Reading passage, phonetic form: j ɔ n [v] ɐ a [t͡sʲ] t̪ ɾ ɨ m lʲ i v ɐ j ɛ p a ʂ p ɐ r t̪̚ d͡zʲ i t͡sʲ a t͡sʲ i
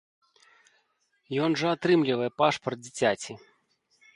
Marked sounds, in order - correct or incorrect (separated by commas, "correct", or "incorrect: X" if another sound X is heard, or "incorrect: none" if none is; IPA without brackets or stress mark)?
incorrect: ʐ, incorrect: none